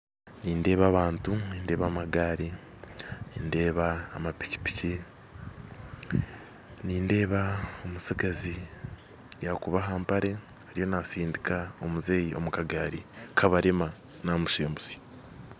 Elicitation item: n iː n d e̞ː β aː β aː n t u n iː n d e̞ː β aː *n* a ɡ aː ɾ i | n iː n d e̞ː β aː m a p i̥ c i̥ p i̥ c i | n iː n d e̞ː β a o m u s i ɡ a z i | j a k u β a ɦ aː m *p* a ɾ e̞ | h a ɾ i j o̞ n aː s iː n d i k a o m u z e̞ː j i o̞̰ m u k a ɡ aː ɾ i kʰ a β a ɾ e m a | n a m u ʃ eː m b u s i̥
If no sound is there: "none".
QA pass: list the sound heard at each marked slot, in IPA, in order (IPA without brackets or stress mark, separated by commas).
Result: m, p